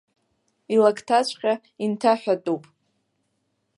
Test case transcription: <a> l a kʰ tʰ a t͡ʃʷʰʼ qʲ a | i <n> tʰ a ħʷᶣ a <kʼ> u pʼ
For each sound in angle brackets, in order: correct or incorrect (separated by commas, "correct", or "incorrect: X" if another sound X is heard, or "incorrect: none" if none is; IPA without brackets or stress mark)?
incorrect: i, correct, incorrect: tʼ